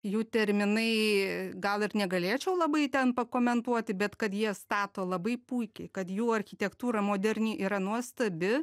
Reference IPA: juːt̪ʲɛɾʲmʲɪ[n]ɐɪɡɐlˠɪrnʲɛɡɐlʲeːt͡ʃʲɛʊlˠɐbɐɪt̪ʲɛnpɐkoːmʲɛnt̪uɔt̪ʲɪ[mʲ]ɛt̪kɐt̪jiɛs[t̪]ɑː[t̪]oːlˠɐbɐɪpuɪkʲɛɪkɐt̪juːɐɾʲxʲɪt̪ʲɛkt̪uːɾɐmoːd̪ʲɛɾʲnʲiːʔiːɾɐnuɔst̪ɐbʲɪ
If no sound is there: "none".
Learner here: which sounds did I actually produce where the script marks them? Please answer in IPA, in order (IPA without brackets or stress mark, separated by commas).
n, bʲ, t̪, t̪